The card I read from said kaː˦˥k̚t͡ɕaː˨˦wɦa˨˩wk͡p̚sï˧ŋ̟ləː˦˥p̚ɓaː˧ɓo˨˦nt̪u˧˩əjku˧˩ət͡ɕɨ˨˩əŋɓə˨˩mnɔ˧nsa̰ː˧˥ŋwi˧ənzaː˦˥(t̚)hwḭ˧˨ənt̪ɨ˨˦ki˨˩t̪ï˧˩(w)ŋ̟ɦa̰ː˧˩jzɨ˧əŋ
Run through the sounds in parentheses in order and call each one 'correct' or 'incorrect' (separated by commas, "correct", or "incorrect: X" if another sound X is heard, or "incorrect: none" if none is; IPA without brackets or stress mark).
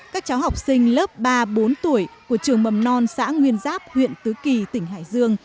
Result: incorrect: p̚, incorrect: none